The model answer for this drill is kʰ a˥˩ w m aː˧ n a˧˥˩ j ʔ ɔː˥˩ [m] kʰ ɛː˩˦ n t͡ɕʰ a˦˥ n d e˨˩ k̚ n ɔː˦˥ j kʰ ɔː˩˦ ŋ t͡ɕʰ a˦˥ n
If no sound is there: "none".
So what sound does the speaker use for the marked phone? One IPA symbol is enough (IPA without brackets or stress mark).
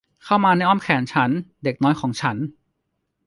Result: m